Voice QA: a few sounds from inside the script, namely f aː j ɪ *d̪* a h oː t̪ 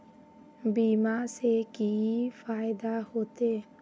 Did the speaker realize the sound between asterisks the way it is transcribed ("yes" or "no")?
yes